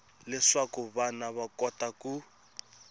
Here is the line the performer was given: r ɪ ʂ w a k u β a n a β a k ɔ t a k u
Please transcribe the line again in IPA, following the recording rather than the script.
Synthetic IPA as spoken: l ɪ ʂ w a k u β a n a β a k ɔ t a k u